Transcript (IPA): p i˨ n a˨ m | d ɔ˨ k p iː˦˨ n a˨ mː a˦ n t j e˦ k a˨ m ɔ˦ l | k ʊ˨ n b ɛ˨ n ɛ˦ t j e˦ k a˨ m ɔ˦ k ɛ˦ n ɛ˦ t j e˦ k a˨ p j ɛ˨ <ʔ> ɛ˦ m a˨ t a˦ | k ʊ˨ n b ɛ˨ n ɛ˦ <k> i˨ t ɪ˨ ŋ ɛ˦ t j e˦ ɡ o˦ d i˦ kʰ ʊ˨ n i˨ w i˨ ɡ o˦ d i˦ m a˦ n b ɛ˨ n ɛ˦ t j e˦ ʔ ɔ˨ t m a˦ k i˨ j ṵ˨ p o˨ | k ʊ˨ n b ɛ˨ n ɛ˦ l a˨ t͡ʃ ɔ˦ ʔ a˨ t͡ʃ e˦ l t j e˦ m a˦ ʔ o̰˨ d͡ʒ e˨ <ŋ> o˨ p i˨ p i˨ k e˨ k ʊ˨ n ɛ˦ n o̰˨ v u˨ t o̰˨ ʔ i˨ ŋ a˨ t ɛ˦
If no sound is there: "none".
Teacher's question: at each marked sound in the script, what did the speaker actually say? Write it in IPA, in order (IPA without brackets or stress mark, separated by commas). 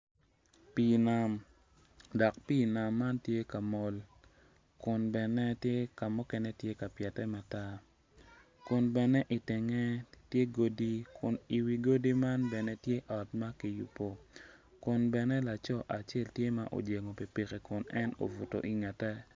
t, ʔ, ŋ